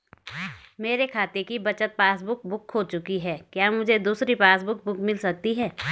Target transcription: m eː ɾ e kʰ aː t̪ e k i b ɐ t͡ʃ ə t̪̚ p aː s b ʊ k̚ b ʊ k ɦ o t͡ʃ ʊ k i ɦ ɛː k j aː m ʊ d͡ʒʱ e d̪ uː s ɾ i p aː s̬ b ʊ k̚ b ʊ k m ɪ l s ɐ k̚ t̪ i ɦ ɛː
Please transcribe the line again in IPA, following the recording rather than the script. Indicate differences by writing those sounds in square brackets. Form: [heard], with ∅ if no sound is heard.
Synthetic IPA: m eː ɾ e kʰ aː t̪ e k i b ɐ t͡ʃ ə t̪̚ p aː s b ʊ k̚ b ʊ k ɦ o t͡ʃ ʊ k i ɦ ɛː k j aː m ʊ d͡ʒʱ e d̪ uː s ɾ i p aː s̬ b ʊ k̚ b ʊ k m ɪ l s ɐ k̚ t̪ i ɦ ɛː